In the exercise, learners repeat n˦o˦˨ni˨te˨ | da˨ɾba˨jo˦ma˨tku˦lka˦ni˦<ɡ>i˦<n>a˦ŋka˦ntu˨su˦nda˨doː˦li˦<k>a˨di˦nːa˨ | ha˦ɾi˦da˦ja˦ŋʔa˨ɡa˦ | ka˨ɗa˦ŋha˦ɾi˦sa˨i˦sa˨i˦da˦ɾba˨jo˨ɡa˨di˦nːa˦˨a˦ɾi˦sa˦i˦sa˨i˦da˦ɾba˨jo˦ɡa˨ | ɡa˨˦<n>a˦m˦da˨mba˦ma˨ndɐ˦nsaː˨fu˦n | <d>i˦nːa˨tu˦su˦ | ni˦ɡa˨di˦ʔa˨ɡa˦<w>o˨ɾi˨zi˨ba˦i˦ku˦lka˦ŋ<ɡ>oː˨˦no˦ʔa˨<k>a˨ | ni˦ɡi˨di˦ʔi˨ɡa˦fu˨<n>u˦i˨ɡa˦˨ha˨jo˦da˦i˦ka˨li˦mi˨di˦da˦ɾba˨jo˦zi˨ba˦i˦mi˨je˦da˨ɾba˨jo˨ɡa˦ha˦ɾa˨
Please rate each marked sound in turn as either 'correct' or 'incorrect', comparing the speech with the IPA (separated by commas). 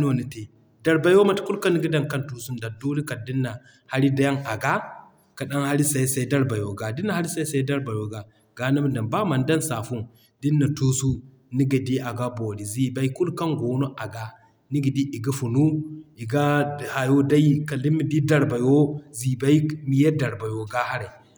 correct, incorrect, correct, correct, correct, incorrect, correct, incorrect, correct